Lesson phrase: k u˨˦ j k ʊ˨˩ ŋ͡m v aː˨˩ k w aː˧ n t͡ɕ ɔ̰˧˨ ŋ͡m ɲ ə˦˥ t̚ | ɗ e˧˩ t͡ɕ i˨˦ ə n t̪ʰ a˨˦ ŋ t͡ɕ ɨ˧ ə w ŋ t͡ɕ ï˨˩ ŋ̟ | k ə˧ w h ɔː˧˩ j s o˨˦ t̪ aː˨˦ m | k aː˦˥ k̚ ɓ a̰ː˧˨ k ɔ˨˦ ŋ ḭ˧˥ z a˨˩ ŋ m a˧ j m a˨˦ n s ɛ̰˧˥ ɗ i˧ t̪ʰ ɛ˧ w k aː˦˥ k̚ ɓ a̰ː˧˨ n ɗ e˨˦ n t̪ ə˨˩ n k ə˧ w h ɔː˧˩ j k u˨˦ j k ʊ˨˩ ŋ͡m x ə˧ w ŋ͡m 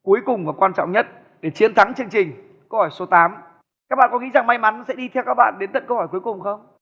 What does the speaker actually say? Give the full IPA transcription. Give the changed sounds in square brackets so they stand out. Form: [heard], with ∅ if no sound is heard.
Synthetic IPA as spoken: k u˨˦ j k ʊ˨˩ ŋ͡m v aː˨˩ k w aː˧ n t͡ɕ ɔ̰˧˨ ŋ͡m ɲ ə˦˥ t̚ | ɗ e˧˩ t͡ɕ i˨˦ ə n t̪ʰ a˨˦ ŋ t͡ɕ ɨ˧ ə [∅] ŋ t͡ɕ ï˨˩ ŋ̟ | k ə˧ w h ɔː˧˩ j s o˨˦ t̪ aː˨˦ m | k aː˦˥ k̚ ɓ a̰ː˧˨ k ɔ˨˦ ŋ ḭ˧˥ z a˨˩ ŋ m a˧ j m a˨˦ n s ɛ̰˧˥ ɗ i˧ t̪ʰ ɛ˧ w k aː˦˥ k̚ ɓ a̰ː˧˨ n ɗ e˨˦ n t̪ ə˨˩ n k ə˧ w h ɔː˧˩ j k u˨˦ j k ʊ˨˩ ŋ͡m x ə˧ w ŋ͡m

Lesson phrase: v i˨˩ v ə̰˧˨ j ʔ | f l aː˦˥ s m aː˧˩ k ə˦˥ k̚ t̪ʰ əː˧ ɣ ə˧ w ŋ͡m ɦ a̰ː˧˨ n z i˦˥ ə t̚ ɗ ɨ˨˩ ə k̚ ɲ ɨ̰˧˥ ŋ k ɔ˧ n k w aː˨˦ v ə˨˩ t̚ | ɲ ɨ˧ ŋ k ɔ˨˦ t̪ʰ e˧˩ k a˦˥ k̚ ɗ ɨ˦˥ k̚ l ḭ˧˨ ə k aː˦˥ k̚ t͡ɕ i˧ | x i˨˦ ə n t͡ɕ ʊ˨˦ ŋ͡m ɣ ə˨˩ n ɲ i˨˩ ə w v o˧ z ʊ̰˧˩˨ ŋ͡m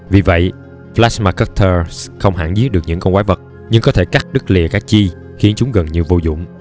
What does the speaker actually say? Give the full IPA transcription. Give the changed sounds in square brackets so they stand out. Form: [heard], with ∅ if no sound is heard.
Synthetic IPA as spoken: v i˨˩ v ə̰˧˨ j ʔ | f l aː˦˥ s m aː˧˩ k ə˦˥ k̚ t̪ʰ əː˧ [x] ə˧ w ŋ͡m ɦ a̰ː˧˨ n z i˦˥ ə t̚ ɗ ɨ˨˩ ə k̚ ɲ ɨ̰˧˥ ŋ k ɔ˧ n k w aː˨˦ v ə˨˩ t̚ | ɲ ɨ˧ ŋ k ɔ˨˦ t̪ʰ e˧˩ k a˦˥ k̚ ɗ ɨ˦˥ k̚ l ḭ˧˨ ə k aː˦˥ k̚ t͡ɕ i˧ | x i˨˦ ə n t͡ɕ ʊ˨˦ ŋ͡m ɣ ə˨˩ n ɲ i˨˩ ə w v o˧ z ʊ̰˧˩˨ ŋ͡m

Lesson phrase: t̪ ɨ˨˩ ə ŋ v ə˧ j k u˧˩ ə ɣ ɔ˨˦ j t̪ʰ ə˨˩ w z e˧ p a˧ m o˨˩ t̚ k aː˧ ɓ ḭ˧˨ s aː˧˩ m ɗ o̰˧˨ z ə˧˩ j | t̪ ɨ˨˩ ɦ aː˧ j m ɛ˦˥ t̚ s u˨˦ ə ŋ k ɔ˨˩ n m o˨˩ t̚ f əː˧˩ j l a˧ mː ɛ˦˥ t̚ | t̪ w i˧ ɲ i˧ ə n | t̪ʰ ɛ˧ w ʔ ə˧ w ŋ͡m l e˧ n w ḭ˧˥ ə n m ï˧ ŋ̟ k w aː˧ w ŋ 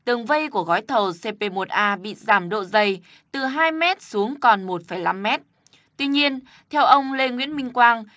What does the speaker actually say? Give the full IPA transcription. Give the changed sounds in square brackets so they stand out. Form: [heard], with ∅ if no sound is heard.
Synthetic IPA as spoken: t̪ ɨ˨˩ ə ŋ v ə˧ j k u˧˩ ə ɣ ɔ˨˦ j t̪ʰ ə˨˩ w [s] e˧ p [e˧] m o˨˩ t̚ [ʔ] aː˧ ɓ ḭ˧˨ [z] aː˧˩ m ɗ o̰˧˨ z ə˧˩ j | t̪ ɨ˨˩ ɦ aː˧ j m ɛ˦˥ t̚ s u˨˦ ə ŋ k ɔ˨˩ n m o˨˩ t̚ f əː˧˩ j l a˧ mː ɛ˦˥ t̚ | t̪ w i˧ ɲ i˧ ə n | t̪ʰ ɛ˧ w ʔ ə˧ w ŋ͡m l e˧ [ŋ] w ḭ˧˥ ə n m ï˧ ŋ̟ k w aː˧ [∅] ŋ

